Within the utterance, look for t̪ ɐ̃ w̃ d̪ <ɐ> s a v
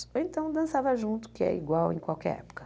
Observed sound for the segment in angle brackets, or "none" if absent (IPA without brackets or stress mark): ɐ̃